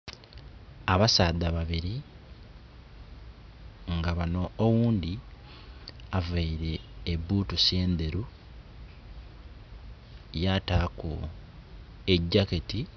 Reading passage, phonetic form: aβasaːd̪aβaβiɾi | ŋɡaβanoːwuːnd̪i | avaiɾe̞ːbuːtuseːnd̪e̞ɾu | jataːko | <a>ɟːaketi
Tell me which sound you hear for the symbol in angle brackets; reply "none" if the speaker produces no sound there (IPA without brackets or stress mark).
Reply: e